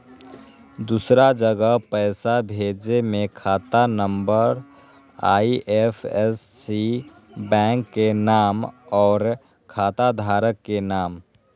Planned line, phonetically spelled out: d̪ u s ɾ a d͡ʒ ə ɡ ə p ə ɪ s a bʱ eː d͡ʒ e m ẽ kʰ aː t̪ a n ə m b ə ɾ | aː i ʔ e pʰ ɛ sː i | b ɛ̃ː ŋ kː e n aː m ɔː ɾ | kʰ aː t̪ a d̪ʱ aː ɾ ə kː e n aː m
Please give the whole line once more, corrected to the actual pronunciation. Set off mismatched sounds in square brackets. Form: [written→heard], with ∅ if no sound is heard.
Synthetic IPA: d̪ u s ɾ a d͡ʒ ə ɡ ə p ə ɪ s a bʱ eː d͡ʒ e m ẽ kʰ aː t̪ a n ə m b ə ɾ | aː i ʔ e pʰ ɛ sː i | b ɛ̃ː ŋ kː e n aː m ɔː ɾ | kʰ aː t̪ a d̪ʱ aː ɾ ə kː e n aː m

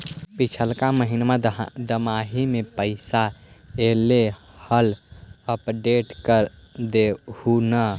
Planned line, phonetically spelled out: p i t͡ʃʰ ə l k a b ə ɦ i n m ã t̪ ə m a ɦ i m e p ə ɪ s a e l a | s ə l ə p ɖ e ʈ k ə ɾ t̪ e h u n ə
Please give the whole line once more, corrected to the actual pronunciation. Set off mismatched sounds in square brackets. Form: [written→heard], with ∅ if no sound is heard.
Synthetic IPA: p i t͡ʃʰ ə l k a [b→m] ə ɦ i n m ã [t̪→d̪] ə m a ɦ i m e p ə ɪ s a e l [a→e] | [s→h] ə l ə p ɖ e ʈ k ə ɾ [t̪→d̪] e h u n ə

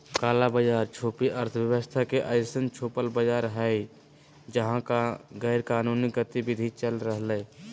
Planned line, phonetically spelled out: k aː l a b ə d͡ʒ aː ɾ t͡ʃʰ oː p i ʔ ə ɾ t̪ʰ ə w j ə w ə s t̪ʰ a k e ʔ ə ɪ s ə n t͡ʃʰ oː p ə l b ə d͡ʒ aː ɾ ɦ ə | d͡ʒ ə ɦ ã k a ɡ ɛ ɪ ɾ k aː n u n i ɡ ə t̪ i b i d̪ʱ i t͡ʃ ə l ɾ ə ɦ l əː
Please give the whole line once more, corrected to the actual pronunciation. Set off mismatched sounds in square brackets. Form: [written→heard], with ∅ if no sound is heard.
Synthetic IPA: k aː l a b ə d͡ʒ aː ɾ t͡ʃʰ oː p i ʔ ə ɾ t̪ʰ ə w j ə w ə s t̪ʰ a k e ʔ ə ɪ s ə n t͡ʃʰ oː p ə l b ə d͡ʒ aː ɾ ɦ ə | d͡ʒ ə ɦ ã k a ɡ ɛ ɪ ɾ k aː n u n i ɡ ə t̪ i b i d̪ʱ i t͡ʃ ə l ɾ ə ɦ l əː

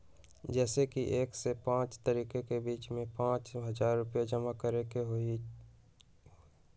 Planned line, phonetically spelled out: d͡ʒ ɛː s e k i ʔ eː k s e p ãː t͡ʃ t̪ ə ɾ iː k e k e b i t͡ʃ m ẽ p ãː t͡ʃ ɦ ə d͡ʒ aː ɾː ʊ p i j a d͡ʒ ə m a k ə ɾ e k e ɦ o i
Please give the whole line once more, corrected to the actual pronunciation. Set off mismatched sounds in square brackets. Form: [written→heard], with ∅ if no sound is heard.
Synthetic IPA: d͡ʒ ɛː s e k i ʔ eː k s e p ãː t͡ʃ t̪ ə ɾ iː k e k e b [i→iː] t͡ʃ m ẽ p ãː t͡ʃ ɦ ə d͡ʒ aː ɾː ʊ p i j a d͡ʒ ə m a k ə ɾ e k e ɦ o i

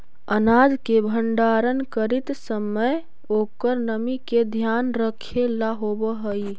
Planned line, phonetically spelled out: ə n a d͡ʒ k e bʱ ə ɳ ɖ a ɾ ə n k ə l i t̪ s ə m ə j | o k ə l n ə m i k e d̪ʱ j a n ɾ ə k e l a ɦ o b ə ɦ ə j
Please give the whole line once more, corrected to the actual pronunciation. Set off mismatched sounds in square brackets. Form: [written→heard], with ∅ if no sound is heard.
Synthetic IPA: ə n a d͡ʒ k e bʱ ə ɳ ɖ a ɾ ə n k ə [l→ɾ] i t̪ s ə m ə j | o k ə [l→ɾ] n ə m i k e d̪ʱ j a n ɾ ə [k→kʰ] e l a ɦ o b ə ɦ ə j

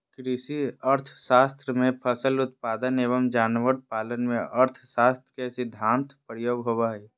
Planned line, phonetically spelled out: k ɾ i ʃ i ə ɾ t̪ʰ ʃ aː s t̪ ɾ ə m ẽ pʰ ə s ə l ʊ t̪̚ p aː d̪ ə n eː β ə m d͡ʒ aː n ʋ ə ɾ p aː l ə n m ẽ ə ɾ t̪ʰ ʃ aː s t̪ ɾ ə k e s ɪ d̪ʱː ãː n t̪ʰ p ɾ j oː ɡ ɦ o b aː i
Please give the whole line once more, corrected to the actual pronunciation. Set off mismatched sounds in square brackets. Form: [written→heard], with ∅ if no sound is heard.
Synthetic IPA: k ɾ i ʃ i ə ɾ t̪ʰ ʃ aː s t̪ ɾ ə m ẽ pʰ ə s ə l ʊ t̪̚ p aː d̪ ə n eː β ə m d͡ʒ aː n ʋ ə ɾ p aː l ə n m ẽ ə ɾ t̪ʰ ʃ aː s t̪ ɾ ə k e s ɪ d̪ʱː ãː n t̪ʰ p ɾ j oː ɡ ɦ o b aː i

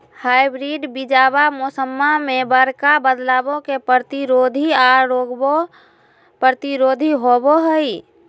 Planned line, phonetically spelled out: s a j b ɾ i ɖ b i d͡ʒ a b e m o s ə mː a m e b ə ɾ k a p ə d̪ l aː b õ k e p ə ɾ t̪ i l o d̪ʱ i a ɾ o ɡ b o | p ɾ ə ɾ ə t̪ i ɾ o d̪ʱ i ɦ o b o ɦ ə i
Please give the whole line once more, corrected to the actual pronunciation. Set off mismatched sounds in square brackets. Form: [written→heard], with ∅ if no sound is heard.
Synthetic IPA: [s→h] a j b ɾ i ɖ b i d͡ʒ a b [e→a] m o s ə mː a m e b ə ɾ k a [p→b] ə d̪ l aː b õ k e p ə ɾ t̪ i [l→ɾ] o d̪ʱ i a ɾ o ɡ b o | p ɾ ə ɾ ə t̪ i ɾ o d̪ʱ i ɦ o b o ɦ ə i

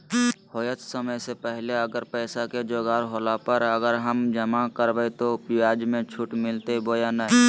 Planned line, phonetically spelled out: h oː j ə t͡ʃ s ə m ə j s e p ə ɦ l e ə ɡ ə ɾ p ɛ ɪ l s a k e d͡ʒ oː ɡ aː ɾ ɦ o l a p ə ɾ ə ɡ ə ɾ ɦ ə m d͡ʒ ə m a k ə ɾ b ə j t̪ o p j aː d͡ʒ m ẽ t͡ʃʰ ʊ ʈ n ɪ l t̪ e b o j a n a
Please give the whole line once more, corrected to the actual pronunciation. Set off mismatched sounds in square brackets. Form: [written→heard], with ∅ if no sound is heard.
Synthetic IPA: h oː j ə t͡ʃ s ə m ə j s e p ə ɦ l e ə ɡ ə ɾ p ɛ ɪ [l→∅] s a k e d͡ʒ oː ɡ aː ɾ ɦ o l a p ə ɾ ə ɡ ə ɾ ɦ ə m d͡ʒ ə m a k ə ɾ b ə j t̪ o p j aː d͡ʒ m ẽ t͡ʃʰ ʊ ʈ [n→m] ɪ l t̪ e b o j a n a

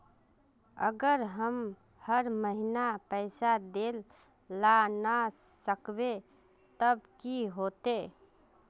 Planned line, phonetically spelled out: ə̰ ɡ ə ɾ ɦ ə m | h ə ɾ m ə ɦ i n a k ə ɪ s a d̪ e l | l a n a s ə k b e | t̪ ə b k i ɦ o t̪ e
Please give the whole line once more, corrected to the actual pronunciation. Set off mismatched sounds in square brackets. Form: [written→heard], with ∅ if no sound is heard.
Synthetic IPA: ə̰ ɡ ə ɾ ɦ ə m | h ə ɾ m ə ɦ i n a [k→p] ə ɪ s a d̪ e l | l a n a s ə k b e | t̪ ə b k i ɦ o t̪ e

